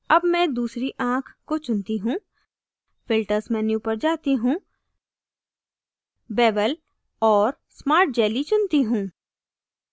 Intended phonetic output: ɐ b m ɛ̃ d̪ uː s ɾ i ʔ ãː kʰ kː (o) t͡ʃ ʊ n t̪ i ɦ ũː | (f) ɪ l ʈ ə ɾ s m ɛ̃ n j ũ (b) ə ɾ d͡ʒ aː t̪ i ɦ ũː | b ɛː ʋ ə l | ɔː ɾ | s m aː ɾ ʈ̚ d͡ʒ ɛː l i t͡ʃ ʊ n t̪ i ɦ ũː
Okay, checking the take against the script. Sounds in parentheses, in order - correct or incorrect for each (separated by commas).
correct, correct, incorrect